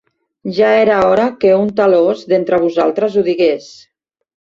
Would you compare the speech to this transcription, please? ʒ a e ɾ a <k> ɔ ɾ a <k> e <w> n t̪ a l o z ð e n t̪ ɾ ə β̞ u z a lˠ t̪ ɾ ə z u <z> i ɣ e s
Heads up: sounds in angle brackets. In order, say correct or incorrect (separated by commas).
incorrect, correct, incorrect, incorrect